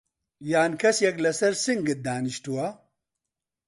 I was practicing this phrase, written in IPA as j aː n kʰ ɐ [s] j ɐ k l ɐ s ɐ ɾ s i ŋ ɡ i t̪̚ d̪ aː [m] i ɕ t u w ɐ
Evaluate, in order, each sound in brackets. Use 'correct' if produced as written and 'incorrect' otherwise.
correct, incorrect

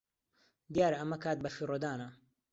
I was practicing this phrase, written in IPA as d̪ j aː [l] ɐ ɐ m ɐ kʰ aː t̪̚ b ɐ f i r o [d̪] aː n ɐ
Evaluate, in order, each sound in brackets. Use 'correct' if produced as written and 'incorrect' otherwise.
incorrect, correct

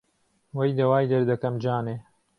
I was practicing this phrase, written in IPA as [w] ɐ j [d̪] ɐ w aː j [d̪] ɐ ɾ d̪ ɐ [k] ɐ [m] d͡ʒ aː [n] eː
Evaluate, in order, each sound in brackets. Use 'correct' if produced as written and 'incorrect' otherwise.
correct, correct, correct, correct, correct, correct

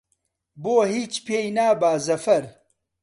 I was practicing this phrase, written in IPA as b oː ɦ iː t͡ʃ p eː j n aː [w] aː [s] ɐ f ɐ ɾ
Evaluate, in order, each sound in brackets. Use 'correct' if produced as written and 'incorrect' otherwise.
incorrect, incorrect

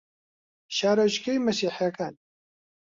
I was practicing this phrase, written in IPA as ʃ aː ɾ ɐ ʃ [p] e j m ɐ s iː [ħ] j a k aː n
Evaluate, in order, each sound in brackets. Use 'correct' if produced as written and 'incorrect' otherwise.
incorrect, correct

